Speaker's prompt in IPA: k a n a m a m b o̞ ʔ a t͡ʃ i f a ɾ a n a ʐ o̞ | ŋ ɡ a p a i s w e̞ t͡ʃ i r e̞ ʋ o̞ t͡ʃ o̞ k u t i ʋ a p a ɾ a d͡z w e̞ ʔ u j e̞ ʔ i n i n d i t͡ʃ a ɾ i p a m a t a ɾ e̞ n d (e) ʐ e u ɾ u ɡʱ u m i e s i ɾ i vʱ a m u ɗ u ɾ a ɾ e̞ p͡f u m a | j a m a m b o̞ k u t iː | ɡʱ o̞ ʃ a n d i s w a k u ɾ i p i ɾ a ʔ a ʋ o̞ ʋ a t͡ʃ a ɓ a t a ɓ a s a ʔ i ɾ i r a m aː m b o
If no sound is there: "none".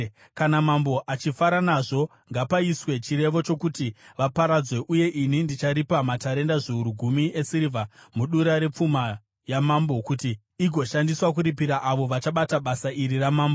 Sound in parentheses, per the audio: a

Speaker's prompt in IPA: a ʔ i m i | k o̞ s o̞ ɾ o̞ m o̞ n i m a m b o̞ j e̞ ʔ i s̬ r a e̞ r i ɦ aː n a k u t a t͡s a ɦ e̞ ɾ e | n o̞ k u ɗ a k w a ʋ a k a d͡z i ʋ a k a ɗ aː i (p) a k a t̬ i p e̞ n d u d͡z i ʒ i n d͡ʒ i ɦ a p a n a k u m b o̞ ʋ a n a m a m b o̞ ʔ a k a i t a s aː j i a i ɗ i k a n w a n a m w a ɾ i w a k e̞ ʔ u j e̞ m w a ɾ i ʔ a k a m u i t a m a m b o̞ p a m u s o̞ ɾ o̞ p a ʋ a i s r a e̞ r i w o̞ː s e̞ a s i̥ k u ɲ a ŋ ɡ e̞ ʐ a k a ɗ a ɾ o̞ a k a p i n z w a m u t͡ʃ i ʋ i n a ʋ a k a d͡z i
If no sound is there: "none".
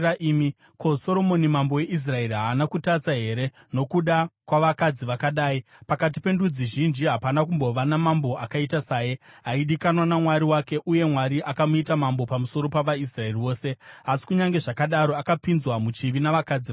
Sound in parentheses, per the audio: p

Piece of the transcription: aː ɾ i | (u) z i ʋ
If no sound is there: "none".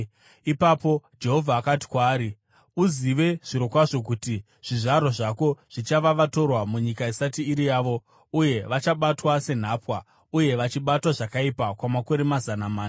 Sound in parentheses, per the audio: u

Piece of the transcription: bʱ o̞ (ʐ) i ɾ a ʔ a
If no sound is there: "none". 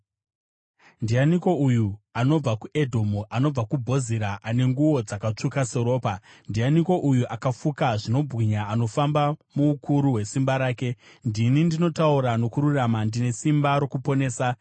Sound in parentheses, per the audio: z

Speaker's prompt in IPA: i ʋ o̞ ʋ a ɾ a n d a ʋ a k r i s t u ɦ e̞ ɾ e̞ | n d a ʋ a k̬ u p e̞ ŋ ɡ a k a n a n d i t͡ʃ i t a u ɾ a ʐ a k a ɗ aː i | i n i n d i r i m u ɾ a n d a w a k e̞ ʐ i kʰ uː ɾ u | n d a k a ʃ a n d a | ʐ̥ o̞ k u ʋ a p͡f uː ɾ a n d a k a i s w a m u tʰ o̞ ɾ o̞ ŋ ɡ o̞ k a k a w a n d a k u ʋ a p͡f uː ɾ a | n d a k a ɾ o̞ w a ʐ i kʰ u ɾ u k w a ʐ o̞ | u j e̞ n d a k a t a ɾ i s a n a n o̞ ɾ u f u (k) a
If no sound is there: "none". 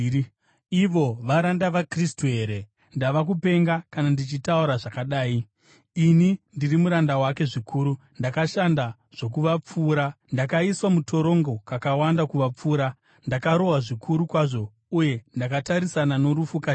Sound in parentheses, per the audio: k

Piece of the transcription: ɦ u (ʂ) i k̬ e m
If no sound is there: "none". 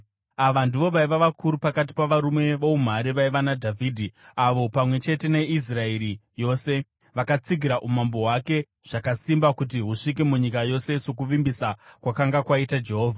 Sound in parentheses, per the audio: ʂ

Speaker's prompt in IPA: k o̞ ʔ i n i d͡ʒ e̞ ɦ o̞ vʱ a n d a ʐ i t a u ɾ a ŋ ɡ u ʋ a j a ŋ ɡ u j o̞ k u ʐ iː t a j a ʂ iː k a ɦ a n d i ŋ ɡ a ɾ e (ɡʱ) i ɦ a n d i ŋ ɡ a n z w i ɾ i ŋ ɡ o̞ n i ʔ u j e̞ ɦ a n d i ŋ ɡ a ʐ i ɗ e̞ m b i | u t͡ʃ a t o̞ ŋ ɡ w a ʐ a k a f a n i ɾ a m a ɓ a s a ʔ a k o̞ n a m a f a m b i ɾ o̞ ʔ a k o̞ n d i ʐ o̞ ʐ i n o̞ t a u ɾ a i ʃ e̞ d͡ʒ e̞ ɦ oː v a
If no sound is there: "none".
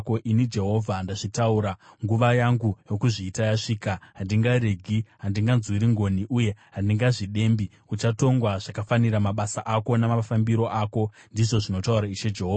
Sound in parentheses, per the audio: ɡʱ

